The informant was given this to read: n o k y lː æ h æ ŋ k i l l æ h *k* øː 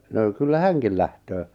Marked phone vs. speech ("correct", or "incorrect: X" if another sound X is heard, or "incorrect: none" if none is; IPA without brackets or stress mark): incorrect: t